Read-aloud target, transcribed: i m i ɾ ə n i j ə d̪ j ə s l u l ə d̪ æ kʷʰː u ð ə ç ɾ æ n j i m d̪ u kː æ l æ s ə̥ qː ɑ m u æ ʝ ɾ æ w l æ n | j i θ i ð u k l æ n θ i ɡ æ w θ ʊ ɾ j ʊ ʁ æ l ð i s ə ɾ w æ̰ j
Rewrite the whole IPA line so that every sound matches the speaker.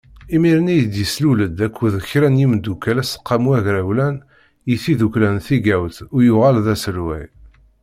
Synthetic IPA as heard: i m i ɾ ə n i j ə d̪ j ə s l u l ə d̪ æ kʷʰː u ð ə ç ɾ æ n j i m d̪ u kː æ l æ s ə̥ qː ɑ m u æ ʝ ɾ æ w l æ n | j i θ i ð u k l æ n θ i ɡ æ w θ ʊ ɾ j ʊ ʁ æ l ð æ s ə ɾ w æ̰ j